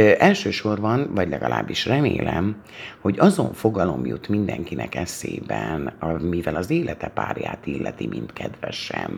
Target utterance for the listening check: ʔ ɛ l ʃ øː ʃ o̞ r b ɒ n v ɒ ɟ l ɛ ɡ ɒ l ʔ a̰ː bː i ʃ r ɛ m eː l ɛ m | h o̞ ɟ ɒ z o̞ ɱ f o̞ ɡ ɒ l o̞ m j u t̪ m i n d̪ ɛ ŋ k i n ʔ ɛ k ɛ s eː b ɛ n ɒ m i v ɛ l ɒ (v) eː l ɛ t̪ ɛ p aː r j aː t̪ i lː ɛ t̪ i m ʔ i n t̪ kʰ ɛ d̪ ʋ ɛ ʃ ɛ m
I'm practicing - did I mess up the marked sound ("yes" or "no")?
yes